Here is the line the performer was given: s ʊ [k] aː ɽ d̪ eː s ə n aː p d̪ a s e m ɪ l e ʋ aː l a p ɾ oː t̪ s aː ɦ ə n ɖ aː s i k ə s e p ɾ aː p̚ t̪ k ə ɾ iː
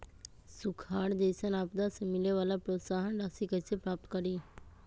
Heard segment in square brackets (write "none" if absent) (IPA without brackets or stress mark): kʰ